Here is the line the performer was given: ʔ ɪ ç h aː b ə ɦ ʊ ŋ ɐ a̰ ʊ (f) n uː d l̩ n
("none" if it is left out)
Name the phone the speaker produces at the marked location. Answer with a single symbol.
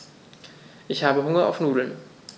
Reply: f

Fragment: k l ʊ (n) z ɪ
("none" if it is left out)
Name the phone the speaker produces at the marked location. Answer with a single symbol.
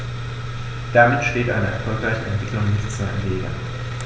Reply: ŋ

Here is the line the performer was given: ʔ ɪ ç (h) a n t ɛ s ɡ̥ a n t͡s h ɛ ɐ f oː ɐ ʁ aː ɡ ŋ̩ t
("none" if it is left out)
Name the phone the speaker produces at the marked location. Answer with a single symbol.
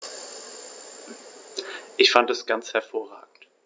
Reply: f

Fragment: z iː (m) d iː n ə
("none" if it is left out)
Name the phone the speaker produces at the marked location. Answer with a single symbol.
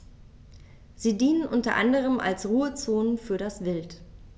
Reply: none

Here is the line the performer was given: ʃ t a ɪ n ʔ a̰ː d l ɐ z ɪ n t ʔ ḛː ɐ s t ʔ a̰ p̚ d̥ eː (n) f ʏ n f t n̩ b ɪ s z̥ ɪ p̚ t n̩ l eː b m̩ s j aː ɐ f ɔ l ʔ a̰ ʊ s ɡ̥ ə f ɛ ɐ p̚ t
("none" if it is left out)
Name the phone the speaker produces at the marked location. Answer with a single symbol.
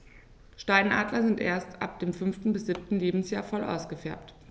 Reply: m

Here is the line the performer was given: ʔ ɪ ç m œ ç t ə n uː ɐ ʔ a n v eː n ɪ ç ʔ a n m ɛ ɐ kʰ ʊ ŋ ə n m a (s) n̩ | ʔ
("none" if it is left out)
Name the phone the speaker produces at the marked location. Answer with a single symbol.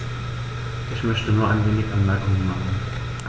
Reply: χ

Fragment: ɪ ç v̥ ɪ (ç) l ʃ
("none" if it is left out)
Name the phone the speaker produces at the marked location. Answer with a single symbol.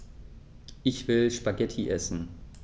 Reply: none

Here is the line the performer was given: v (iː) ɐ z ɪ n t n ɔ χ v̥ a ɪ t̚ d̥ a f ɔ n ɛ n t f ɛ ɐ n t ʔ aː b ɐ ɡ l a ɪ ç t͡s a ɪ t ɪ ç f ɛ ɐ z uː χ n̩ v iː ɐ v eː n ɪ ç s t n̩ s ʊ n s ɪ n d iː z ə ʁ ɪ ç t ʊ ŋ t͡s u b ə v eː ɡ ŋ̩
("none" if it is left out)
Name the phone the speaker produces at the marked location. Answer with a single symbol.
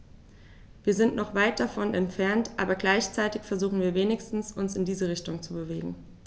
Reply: iː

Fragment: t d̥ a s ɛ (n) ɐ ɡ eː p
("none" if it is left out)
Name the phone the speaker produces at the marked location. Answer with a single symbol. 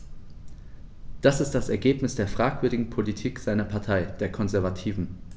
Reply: none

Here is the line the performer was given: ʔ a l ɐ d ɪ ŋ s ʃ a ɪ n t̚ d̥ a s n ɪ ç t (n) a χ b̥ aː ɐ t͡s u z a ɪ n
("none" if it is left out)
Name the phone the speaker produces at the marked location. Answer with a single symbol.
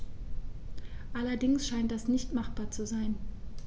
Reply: m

